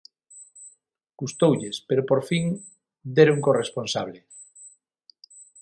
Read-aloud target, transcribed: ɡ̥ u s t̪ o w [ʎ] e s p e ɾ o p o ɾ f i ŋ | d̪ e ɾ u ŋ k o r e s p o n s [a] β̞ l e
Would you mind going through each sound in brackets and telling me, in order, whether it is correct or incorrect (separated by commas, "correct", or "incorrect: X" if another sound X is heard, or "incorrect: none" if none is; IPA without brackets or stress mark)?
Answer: correct, correct